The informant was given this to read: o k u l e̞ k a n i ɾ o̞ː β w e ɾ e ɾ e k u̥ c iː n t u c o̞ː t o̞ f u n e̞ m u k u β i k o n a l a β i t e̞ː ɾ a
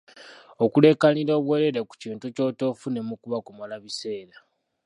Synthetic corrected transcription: o k u l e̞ k a n i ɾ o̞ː β w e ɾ e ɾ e k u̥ c iː n t u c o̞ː t o̞ f u n e̞ m u k u β a k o m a l a β i s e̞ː ɾ a